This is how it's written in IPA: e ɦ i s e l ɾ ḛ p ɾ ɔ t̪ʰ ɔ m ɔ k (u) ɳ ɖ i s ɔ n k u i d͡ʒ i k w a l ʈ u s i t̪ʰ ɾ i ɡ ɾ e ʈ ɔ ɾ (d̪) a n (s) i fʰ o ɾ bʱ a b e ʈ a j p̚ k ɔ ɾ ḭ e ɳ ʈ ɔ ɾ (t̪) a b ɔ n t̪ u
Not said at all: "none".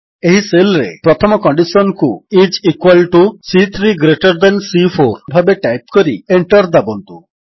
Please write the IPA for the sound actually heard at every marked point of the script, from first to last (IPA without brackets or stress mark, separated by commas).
ɔ, d̪, s, d̪